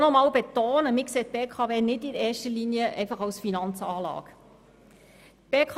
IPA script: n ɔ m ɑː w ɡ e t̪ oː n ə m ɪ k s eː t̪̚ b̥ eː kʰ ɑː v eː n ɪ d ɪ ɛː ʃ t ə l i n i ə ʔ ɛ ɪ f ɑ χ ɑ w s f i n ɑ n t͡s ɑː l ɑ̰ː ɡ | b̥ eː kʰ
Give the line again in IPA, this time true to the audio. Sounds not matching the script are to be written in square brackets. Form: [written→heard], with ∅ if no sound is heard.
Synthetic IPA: n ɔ m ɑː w [ɡ→b] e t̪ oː n ə m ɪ k s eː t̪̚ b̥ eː kʰ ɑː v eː n ɪ d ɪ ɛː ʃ t ə l i n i ə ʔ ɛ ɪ f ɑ χ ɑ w s f i n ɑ n t͡s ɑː l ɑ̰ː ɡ | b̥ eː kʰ